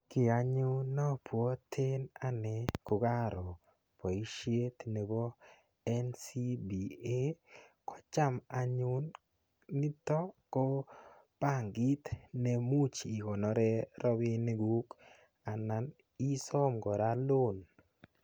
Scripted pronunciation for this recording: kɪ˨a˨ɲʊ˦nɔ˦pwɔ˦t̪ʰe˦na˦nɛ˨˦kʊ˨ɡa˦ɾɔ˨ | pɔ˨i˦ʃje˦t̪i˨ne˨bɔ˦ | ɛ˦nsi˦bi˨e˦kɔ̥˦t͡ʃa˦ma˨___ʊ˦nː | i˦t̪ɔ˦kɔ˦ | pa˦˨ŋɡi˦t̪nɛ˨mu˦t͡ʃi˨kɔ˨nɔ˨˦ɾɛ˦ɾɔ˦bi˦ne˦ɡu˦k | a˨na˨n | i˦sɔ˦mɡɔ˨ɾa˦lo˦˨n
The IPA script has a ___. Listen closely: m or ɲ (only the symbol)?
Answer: ɲ